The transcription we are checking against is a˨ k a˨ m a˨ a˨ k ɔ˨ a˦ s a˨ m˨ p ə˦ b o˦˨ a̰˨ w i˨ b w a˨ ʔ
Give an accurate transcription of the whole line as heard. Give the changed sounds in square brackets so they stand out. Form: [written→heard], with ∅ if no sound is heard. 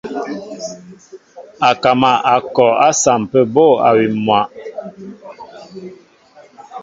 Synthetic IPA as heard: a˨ k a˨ m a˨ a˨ k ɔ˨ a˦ s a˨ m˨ p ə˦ b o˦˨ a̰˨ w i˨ [b→m] w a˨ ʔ